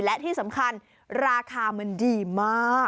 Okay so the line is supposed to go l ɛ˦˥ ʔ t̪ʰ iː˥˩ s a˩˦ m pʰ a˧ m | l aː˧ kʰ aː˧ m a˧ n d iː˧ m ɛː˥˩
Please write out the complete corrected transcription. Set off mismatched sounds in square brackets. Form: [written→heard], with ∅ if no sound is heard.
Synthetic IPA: l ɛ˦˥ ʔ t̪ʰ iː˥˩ s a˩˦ m [pʰ→kʰ] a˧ [m→n] | [l→ɾ] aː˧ kʰ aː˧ m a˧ n d iː˧ m [ɛː˥˩→aː˥˩]